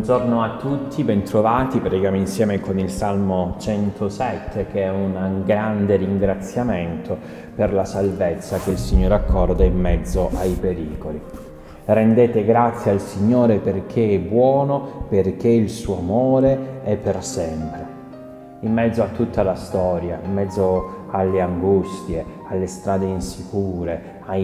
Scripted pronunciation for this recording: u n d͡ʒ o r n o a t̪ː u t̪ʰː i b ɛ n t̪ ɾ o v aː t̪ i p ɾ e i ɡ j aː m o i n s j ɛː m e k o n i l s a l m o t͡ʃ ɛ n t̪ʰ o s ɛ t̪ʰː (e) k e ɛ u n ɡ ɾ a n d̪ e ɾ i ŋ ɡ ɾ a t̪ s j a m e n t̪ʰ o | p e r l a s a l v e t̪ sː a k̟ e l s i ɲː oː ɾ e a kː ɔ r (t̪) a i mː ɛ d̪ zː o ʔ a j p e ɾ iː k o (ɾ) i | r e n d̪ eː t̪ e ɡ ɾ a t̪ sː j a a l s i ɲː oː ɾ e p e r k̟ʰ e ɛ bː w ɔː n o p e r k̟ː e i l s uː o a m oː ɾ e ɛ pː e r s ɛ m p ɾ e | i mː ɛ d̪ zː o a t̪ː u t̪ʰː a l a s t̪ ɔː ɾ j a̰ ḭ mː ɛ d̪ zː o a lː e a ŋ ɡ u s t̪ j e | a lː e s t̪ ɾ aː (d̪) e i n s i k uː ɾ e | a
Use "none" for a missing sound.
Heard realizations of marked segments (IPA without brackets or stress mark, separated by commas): e, d̪, l, d̪